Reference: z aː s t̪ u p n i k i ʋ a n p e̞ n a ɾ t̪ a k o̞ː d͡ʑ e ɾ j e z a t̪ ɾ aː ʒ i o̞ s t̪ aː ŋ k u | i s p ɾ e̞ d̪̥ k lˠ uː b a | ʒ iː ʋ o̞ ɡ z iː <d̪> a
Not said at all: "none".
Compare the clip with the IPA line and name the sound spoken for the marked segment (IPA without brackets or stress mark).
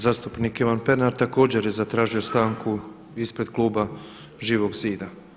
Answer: d̪